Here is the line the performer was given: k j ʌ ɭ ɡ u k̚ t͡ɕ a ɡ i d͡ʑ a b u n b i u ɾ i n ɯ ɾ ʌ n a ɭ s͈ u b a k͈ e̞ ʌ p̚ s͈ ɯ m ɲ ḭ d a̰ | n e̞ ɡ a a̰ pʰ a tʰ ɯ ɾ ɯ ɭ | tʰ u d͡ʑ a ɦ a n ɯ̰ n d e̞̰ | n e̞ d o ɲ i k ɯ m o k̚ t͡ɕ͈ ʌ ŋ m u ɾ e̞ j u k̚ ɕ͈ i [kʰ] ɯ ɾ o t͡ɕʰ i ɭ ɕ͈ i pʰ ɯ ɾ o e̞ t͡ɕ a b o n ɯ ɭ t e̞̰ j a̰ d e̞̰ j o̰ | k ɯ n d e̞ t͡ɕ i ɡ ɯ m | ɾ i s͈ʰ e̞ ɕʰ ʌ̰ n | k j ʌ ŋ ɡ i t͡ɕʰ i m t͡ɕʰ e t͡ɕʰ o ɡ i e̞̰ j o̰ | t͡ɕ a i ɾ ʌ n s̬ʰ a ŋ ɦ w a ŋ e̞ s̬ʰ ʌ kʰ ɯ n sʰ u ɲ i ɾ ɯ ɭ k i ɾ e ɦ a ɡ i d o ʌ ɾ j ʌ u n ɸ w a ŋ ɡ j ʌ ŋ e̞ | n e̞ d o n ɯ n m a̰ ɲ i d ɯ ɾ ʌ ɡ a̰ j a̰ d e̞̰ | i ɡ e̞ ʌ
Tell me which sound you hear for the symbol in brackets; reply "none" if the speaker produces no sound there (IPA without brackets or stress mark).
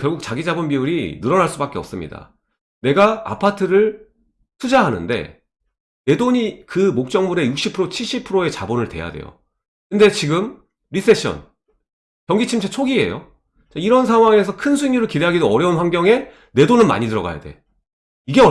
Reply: pʰ